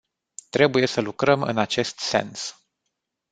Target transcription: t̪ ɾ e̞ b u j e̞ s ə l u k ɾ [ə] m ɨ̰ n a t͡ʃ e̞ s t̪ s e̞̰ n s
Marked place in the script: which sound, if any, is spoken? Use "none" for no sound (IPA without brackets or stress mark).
ə